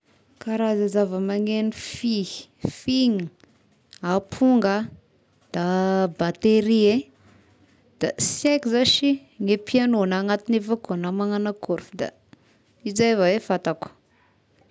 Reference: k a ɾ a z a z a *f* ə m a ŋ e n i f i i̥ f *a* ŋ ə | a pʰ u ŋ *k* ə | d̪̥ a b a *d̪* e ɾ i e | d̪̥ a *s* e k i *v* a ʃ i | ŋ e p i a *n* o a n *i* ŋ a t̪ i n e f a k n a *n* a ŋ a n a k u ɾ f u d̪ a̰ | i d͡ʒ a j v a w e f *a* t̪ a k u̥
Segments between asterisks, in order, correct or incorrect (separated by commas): incorrect, incorrect, incorrect, incorrect, correct, incorrect, correct, incorrect, incorrect, correct